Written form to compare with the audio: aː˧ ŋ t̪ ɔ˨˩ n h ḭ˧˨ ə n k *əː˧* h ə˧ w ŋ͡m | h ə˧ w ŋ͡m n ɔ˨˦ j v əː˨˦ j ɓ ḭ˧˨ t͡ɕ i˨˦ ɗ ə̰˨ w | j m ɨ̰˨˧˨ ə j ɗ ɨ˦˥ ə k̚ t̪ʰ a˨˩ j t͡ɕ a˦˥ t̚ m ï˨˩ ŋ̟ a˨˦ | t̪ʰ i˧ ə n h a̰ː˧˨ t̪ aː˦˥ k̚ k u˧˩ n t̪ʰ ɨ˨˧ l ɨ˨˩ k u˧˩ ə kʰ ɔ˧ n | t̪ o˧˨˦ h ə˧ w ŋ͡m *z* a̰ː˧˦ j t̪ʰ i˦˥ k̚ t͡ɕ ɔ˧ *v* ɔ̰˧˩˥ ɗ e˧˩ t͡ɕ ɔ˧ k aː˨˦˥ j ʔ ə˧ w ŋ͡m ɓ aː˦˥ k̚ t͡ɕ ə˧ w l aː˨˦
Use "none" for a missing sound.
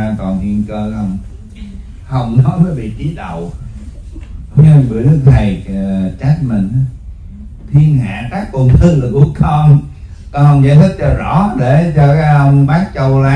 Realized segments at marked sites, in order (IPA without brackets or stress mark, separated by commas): əː˧, z, z